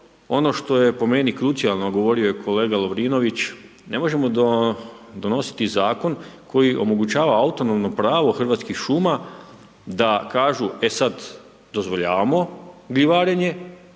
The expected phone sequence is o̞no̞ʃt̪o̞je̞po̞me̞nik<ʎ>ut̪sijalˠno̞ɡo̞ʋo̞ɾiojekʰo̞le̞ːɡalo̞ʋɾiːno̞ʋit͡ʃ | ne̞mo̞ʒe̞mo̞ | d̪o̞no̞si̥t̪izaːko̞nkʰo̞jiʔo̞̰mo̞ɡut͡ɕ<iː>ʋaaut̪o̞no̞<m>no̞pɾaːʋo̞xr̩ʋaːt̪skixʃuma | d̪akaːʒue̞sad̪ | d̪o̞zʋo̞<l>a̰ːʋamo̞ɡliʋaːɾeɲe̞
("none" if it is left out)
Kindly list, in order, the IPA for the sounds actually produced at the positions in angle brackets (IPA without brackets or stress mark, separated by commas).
ɾ, aː, m, ʎ